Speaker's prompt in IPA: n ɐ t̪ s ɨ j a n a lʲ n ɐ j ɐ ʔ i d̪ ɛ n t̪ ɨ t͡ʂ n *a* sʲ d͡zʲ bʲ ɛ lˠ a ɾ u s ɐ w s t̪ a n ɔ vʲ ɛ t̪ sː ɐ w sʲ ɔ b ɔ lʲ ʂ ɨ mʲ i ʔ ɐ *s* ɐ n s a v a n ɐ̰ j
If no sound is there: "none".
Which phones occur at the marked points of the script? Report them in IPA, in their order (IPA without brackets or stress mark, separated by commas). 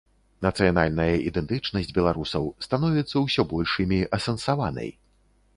ɐ, s